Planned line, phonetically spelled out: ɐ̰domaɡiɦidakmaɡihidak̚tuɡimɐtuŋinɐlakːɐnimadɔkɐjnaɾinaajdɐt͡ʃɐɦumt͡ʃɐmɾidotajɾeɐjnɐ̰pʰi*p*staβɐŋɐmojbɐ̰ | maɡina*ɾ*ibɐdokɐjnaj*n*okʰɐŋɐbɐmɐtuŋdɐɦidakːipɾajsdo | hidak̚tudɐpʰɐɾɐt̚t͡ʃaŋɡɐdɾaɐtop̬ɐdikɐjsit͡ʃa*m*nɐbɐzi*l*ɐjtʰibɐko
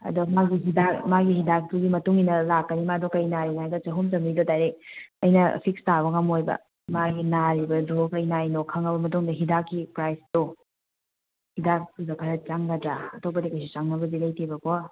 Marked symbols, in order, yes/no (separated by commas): no, yes, yes, no, yes